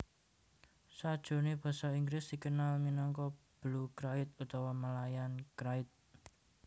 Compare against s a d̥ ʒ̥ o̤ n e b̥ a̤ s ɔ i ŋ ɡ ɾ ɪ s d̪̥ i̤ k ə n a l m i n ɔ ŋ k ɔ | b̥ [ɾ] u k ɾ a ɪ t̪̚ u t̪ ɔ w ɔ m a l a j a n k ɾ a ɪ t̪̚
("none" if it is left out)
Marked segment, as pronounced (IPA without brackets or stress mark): l